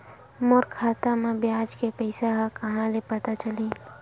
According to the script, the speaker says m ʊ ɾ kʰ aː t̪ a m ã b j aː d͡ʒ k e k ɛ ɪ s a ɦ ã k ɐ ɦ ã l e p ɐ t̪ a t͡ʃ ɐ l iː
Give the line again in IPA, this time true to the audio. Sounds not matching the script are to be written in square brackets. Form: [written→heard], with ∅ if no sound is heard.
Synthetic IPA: m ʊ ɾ kʰ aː t̪ a m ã b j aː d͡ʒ k e [k→p] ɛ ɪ s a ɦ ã k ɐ ɦ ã l e p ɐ t̪ a t͡ʃ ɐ l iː